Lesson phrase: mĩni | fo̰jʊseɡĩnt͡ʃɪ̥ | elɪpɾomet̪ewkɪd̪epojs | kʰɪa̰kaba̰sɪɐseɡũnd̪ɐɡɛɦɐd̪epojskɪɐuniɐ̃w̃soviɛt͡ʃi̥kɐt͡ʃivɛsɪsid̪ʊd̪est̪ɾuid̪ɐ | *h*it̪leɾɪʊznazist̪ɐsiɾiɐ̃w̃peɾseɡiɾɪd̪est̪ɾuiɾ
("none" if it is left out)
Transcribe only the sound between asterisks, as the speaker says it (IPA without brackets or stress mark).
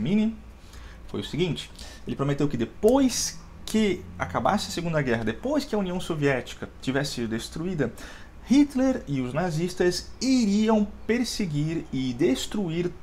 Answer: h